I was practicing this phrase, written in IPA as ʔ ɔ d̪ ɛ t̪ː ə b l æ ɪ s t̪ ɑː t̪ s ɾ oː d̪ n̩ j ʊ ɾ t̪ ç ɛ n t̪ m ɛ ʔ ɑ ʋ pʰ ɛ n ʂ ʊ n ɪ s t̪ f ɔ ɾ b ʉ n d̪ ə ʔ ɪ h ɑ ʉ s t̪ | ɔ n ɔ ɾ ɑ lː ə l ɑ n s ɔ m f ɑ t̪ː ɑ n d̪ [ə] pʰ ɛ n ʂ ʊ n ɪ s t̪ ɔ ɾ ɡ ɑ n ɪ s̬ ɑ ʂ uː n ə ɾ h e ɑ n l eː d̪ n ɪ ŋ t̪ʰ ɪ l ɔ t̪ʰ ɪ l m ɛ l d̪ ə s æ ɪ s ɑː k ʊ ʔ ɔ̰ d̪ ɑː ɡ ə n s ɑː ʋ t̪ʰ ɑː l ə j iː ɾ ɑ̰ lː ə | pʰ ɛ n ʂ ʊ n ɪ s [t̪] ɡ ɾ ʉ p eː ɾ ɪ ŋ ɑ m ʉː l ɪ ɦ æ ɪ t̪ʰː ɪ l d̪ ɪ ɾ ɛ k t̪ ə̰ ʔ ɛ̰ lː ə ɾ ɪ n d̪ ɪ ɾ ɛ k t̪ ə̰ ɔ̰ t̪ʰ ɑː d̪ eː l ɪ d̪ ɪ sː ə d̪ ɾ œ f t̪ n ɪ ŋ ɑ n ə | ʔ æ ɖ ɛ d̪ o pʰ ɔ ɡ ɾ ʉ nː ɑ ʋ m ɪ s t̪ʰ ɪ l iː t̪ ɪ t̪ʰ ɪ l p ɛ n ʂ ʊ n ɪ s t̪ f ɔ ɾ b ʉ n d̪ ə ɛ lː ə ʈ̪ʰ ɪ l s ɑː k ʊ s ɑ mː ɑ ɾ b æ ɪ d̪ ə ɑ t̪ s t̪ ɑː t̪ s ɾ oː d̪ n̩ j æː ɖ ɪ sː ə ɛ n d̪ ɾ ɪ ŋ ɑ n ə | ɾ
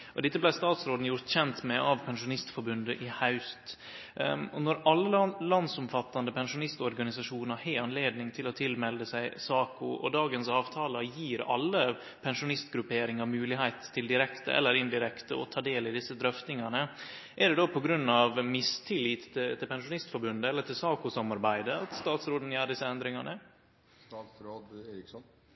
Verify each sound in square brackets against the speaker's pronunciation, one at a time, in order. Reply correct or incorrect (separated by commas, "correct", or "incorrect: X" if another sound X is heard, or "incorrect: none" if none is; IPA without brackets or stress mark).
correct, correct